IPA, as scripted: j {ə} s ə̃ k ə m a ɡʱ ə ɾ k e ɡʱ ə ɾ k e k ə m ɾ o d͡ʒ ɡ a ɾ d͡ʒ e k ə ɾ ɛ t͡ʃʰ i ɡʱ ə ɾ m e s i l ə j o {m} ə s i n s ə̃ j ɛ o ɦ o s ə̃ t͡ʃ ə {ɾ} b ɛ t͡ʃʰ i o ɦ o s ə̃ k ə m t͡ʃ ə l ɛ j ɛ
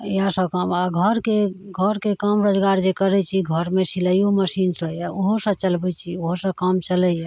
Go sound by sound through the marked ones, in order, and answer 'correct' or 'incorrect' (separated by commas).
incorrect, correct, incorrect